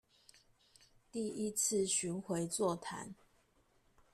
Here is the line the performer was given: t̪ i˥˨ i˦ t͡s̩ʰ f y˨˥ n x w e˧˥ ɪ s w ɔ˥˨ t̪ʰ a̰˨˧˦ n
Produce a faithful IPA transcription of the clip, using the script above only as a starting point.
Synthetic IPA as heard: t̪ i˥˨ i˦ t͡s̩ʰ ɕ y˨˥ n x w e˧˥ ɪ t͡s w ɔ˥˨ t̪ʰ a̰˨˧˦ n